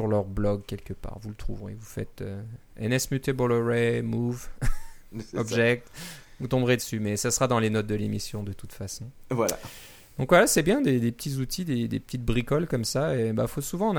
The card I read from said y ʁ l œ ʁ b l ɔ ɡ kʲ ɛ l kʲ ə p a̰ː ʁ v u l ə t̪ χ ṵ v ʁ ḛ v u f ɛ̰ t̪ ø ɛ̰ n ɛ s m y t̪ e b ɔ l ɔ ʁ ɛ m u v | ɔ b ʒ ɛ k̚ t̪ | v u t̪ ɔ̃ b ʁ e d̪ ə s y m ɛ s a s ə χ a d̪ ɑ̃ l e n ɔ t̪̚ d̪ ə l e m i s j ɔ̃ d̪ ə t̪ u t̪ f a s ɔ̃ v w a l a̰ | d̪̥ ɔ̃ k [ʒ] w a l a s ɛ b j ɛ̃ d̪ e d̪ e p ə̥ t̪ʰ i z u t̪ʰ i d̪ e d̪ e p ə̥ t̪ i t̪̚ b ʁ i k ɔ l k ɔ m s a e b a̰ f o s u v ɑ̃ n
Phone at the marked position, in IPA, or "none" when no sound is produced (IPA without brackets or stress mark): v